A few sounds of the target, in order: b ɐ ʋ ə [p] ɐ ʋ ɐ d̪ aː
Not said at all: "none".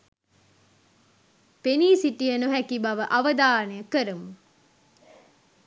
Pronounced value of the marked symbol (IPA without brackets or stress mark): ʔ